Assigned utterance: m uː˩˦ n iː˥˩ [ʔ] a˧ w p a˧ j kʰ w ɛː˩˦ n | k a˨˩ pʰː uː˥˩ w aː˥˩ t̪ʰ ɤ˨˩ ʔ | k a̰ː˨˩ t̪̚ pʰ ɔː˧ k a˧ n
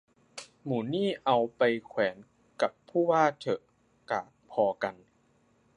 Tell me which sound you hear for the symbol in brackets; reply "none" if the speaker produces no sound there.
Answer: ʔ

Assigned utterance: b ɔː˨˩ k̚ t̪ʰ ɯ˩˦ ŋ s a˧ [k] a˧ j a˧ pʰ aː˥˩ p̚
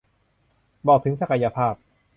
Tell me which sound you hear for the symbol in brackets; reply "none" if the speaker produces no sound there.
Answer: k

